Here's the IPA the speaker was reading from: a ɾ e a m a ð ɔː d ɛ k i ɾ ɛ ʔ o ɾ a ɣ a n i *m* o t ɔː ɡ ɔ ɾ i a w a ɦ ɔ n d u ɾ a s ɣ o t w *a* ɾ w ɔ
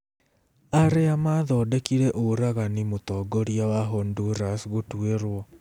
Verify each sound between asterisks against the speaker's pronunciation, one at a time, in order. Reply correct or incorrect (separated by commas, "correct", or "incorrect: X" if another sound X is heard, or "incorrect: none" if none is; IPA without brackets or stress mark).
correct, incorrect: e